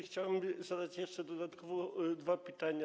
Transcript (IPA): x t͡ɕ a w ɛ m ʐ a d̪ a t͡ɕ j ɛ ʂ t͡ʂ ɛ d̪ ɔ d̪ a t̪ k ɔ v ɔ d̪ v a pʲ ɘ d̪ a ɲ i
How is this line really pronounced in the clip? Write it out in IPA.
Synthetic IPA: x t͡ɕ a w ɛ m z a d̪ a t͡ɕ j ɛ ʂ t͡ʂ ɛ d̪ ɔ d̪ a t̪ k ɔ v ɔ d̪ v a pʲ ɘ t̪ a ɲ a